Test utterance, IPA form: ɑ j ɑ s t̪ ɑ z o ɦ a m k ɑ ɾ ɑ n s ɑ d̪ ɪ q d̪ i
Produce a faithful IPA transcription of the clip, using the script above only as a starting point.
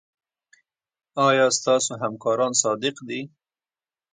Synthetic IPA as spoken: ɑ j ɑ s t̪ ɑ s o ɦ a m k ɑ ɾ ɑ n s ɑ d̪ ɪ q d̪ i

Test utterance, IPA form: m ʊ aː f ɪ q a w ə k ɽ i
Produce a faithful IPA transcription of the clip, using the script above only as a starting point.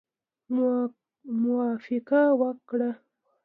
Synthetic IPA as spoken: m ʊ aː f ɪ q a w a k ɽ a

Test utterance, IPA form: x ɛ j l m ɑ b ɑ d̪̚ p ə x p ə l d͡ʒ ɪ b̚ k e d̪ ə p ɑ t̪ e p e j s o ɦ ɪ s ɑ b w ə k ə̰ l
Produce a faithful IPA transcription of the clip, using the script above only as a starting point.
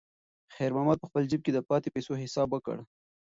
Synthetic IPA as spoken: x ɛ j ɾ m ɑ m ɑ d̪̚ p ə x p ə l d͡ʒ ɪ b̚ k e d̪ ə p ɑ t̪ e p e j s o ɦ ɪ s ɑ b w ə k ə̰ ɽ

